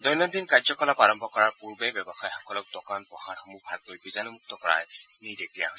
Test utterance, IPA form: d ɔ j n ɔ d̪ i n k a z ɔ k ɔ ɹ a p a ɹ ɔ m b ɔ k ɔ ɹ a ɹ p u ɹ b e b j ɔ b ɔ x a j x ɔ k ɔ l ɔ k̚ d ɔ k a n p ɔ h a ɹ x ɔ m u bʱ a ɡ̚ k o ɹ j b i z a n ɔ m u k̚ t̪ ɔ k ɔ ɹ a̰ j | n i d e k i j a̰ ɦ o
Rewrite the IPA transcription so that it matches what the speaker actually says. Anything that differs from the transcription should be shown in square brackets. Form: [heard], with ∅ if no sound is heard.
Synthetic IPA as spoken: d ɔ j n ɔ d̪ i n k a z ɔ k ɔ [l] a p a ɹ ɔ m b ɔ k ɔ ɹ a ɹ p u ɹ b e b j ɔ b ɔ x a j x ɔ k ɔ l ɔ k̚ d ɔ k a n p ɔ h a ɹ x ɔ m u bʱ a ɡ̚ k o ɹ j b i z a n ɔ m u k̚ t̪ ɔ k ɔ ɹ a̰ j | n i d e k i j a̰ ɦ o

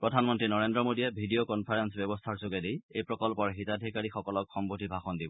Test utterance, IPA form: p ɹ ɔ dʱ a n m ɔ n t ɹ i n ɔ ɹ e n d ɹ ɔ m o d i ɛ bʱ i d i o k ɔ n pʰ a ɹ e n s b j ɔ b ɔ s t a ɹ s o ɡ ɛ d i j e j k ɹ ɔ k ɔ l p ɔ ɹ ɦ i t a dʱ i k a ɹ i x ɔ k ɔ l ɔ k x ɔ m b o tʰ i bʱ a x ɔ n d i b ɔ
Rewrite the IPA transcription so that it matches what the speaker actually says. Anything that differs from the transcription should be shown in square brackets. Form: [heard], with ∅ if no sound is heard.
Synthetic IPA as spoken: p ɹ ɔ dʱ a n m ɔ n t ɹ i n ɔ ɹ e n d ɹ ɔ m o d i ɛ bʱ i d i o k ɔ n pʰ a ɹ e n s b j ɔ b ɔ s [tʰ] a ɹ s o ɡ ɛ d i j e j [p] ɹ ɔ k ɔ l p ɔ ɹ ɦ i t a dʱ i k a ɹ i x ɔ k ɔ l ɔ k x ɔ m b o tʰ i bʱ a x ɔ n d i b ɔ

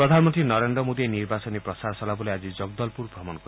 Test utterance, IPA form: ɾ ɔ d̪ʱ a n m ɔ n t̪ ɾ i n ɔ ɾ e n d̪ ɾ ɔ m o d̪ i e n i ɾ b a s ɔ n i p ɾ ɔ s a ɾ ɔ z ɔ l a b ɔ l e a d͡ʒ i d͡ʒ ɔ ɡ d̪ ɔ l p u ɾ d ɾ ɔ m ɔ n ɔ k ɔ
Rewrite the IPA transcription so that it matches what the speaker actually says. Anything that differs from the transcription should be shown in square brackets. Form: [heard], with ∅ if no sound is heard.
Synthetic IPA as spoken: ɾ ɔ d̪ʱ a n m ɔ n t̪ ɾ i n ɔ ɾ e n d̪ ɾ ɔ m o d̪ i e n i ɾ b a s ɔ n i p ɾ ɔ s a ɾ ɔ [s] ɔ l a b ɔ l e a d͡ʒ i d͡ʒ ɔ ɡ d̪ ɔ l p u ɾ [b] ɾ ɔ m ɔ n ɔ k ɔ

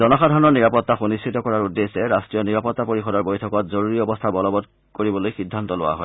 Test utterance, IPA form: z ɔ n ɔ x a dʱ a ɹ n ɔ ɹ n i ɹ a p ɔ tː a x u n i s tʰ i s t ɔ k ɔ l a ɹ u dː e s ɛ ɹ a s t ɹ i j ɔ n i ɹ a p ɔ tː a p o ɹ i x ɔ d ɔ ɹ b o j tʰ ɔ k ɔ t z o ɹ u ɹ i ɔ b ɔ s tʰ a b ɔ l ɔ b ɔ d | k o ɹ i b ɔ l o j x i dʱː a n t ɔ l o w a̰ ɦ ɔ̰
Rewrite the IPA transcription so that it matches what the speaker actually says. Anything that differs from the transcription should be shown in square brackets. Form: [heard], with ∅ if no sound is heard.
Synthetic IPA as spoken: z ɔ n ɔ x a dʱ a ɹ n ɔ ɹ n i ɹ a p ɔ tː a x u n i s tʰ i [∅] t ɔ k ɔ [ɹ] a ɹ u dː e s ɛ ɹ a s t ɹ i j ɔ n i ɹ a p ɔ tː a p o ɹ i x ɔ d ɔ ɹ b o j tʰ ɔ k ɔ t z o ɹ u ɹ i ɔ b ɔ s tʰ a b ɔ l ɔ b ɔ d | k o ɹ i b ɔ l o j x i dʱː a n t ɔ l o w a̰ ɦ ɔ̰

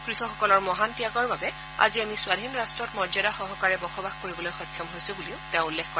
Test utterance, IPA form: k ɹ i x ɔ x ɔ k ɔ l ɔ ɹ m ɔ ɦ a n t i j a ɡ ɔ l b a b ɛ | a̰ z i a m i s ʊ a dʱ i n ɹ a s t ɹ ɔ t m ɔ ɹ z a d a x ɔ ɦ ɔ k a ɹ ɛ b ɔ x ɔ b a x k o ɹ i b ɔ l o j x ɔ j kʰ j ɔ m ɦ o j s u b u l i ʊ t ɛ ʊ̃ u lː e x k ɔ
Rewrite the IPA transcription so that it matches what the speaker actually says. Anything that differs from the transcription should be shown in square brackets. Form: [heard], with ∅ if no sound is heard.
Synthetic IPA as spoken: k ɹ i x ɔ x ɔ k ɔ l ɔ ɹ m ɔ ɦ a n t i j a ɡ ɔ [ɹ] b a b ɛ | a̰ z i a m i s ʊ a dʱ i n ɹ a s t ɹ ɔ t m ɔ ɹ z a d a x ɔ ɦ ɔ k a ɹ ɛ b ɔ x ɔ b a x k o ɹ i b ɔ l o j x ɔ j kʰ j ɔ m ɦ o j s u b u l i ʊ t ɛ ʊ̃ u lː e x k ɔ

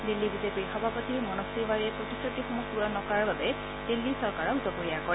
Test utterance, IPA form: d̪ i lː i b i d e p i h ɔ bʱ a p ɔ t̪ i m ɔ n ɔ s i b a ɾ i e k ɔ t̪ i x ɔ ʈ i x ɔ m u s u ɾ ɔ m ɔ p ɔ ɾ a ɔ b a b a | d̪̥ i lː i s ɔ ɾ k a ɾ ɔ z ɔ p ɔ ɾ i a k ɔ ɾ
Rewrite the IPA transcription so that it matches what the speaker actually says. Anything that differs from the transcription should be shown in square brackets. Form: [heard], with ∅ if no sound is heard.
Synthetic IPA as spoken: d̪ i lː i b i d e p i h ɔ bʱ a p ɔ t̪ i m ɔ n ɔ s i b a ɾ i e [p] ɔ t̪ i [s] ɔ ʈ i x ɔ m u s u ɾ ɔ [n] ɔ [k] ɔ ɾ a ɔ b a b [e] | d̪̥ i lː i s ɔ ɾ k a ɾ ɔ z ɔ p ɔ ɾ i a k ɔ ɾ

